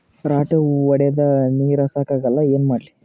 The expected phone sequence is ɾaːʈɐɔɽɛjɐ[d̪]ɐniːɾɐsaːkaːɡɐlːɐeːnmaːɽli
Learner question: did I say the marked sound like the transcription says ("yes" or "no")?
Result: yes